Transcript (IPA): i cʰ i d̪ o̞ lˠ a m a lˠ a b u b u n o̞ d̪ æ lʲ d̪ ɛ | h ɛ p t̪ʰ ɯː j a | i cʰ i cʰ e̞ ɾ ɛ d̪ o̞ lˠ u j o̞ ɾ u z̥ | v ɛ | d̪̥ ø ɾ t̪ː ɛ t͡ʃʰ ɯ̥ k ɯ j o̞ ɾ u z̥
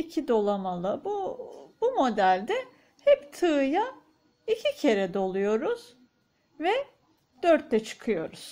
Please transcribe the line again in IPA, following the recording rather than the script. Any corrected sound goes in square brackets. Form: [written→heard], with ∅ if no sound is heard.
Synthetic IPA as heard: i cʰ i d̪ o̞ lˠ a m a lˠ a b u b u [n→m] o̞ d̪ æ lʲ d̪ ɛ | h ɛ p t̪ʰ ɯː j a | i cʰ i cʰ e̞ ɾ ɛ d̪ o̞ lˠ u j o̞ ɾ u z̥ | v ɛ | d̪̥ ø ɾ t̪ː ɛ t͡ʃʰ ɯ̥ [k→kʰ] ɯ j o̞ ɾ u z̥